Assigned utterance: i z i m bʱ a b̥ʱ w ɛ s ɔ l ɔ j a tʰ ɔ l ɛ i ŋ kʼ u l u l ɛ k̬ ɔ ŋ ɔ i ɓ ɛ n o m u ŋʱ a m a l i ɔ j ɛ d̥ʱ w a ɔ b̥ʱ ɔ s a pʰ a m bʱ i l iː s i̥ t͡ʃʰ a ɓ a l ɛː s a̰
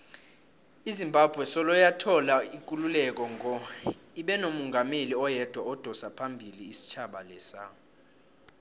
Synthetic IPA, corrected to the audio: i z i m bʱ a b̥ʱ w ɛ s ɔ l ɔ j a tʰ ɔ l a i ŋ kʼ u l u l ɛ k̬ ɔ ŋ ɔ i ɓ ɛ n o m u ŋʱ a m e l i ɔ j ɛ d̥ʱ w a ɔ d̥ʱ ɔ s a pʰ a m bʱ i l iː s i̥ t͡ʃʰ a ɓ a l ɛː s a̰